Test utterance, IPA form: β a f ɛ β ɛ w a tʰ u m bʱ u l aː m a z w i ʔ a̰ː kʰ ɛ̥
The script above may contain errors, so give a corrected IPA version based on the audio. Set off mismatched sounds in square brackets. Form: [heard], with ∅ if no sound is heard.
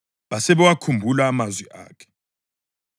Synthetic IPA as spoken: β a [s] ɛ β ɛ w a [kʰ] u m bʱ u l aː m a z w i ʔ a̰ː kʰ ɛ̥